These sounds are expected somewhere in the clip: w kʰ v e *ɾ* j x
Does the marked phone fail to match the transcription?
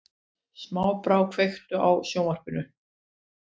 yes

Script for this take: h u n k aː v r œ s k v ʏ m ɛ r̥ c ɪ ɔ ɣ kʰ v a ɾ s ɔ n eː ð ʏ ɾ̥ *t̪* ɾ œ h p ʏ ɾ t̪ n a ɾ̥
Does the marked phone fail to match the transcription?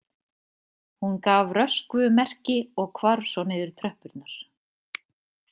yes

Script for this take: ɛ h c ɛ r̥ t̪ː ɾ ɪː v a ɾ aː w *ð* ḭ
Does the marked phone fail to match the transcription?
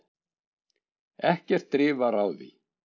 no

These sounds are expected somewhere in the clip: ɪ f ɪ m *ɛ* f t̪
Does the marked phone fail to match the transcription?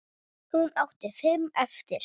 no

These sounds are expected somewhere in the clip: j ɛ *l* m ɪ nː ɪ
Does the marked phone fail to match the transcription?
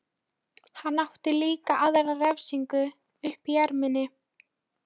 yes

